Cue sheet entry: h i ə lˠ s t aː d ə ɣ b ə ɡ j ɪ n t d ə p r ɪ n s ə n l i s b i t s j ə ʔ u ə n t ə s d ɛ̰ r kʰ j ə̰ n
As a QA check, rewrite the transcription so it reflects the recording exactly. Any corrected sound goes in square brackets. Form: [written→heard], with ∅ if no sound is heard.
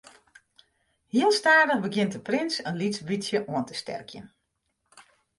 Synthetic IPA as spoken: h i ə lˠ s t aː d ə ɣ b ə ɡ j ɪ n t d ə p r ɪ n s ə n l i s b i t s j ə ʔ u ə n t ə s [d→t] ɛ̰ r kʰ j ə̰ n